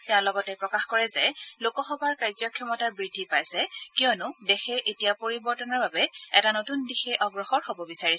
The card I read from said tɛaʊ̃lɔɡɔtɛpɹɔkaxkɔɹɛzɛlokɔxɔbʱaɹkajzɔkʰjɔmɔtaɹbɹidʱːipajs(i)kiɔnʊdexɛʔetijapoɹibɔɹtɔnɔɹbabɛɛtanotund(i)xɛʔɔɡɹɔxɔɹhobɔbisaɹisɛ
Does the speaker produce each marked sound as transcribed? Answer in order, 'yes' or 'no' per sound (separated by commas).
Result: no, yes